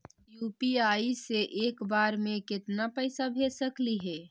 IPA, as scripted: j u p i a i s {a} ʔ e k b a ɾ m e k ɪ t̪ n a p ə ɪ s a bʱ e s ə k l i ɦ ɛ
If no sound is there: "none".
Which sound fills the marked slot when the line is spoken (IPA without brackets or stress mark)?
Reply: e